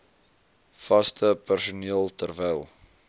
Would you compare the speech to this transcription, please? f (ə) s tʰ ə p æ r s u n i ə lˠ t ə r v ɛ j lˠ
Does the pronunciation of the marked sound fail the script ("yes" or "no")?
yes